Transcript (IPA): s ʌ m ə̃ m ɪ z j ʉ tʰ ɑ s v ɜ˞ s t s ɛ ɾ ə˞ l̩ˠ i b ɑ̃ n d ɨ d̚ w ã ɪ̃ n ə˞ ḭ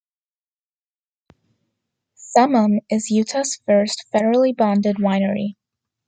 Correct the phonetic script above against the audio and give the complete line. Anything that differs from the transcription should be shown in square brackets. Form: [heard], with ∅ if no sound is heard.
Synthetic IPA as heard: s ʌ m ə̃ m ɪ z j ʉ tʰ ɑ s [f] ɜ˞ s t [f] ɛ ɾ ə˞ l̩ˠ i b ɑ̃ n d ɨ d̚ w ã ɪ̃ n ə˞ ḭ